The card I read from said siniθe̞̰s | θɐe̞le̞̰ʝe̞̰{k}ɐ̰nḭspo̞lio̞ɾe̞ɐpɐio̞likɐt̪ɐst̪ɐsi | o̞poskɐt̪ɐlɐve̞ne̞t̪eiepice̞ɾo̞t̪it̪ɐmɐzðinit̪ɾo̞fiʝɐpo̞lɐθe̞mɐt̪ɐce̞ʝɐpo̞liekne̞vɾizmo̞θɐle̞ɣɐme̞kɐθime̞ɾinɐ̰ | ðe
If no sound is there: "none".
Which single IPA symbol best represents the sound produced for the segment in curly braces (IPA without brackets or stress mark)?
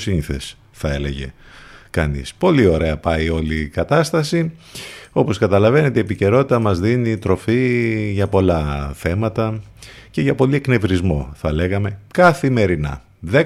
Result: k